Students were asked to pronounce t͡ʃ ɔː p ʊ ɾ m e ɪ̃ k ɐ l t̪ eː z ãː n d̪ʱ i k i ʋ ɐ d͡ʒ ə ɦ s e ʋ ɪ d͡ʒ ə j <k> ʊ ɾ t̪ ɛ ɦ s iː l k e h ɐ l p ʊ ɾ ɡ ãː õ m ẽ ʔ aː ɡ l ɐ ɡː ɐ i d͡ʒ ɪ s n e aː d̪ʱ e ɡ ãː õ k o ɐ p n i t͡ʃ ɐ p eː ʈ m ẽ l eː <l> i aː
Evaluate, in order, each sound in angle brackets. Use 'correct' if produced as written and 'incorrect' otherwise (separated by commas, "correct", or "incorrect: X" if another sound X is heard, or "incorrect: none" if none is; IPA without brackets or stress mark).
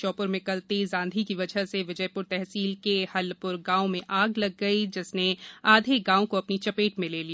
incorrect: p, correct